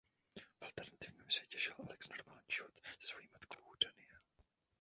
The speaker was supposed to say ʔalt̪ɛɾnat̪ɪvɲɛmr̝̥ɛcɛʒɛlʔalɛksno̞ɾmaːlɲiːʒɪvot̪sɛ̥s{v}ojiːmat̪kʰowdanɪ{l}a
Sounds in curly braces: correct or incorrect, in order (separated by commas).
correct, incorrect